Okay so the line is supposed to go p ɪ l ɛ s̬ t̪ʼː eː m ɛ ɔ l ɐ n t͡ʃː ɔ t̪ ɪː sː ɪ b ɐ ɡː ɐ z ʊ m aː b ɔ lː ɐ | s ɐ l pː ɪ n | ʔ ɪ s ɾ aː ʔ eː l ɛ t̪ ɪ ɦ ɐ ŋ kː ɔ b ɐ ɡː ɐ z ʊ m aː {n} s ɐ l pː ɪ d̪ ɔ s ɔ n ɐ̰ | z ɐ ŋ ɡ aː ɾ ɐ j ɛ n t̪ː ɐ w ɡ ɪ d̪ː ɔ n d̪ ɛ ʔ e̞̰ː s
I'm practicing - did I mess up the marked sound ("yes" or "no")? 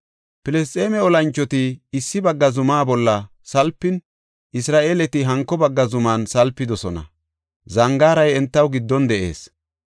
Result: no